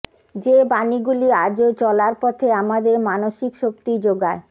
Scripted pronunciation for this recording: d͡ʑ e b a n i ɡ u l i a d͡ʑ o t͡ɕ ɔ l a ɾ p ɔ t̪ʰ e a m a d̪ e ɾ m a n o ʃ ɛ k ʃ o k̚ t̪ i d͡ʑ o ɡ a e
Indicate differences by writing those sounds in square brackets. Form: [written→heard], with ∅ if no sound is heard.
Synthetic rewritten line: d͡ʑ e b a n i ɡ u l i a d͡ʑ o t͡ɕ ɔ l a ɾ p ɔ t̪ʰ e a m a d̪ e ɾ m a n o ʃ [ɛ→i] k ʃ o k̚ t̪ i d͡ʑ o ɡ a e